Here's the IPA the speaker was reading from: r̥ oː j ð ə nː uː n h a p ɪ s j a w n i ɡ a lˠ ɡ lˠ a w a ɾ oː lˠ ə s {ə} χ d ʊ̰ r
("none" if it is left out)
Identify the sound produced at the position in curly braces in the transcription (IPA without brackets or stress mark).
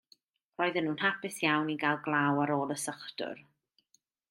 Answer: ə